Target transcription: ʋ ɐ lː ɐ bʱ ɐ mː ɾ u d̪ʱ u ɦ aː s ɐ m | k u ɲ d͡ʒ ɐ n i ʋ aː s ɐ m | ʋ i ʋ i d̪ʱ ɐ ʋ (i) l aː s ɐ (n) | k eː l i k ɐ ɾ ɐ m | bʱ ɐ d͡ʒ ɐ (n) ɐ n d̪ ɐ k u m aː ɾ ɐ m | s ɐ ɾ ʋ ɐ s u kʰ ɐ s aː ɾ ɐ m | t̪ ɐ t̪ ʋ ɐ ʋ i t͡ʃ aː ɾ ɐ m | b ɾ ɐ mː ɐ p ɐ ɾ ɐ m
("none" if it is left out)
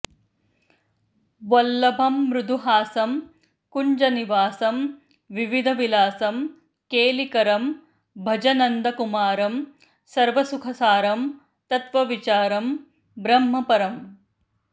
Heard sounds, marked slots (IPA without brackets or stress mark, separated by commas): i, m, n